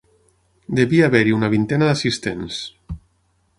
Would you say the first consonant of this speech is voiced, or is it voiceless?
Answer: voiced